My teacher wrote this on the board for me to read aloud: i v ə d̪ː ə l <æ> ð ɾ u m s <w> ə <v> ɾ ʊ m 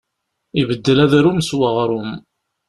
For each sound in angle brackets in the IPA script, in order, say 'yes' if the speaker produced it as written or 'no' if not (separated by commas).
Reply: yes, yes, no